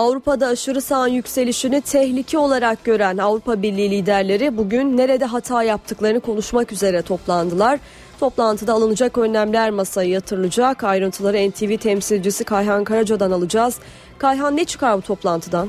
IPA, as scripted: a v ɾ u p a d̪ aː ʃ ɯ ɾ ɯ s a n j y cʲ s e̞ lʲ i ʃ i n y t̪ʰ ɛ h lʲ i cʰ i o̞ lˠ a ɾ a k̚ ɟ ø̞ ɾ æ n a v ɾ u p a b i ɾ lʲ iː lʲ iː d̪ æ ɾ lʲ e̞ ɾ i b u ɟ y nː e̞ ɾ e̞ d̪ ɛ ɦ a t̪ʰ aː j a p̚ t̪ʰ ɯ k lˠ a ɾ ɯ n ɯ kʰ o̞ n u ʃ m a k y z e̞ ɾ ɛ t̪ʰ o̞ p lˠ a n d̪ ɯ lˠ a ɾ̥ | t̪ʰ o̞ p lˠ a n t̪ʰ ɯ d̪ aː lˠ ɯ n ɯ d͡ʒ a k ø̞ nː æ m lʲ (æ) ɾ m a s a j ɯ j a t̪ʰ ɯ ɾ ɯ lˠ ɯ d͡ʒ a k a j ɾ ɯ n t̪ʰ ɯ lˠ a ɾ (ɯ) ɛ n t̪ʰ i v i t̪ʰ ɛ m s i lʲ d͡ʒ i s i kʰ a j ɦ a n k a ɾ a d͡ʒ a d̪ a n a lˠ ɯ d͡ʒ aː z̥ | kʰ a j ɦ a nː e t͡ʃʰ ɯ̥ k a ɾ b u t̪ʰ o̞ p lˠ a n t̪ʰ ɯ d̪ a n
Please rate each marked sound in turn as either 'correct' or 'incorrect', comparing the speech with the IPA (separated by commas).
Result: correct, correct